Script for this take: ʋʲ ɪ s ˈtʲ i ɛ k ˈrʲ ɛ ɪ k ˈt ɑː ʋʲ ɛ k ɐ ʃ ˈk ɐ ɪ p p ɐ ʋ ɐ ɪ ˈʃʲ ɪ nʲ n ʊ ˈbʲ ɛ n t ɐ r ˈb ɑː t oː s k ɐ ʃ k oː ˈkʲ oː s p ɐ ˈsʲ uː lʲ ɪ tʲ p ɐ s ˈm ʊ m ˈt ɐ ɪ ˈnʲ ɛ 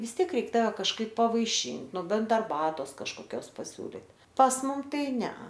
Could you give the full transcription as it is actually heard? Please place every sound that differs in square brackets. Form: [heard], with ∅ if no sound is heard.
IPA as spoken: ʋʲ ɪ s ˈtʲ i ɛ k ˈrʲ ɛ ɪ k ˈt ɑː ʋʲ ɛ k ɐ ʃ ˈk ɐ ɪ p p ɐ ʋ ɐ ɪ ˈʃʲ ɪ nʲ n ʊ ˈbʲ ɛ n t ɐ r ˈb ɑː t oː s k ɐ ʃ k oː ˈkʲ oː s p ɐ ˈsʲ uː lʲ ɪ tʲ p ɐ s ˈm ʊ m ˈt ɐ ɪ ˈnʲ ɛ